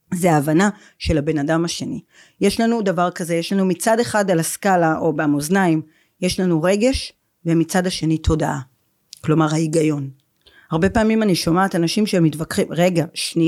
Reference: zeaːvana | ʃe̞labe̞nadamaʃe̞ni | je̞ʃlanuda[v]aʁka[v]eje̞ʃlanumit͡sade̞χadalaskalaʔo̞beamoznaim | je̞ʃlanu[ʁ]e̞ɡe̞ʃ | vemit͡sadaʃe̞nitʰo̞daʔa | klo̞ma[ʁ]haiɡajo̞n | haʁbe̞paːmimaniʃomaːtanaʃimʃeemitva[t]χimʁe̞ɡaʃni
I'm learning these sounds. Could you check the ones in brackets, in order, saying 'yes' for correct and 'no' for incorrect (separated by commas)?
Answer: yes, no, yes, yes, no